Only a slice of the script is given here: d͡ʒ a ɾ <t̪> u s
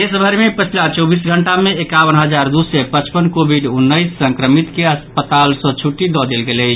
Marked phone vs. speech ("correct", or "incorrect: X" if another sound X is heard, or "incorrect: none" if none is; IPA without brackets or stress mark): incorrect: d̪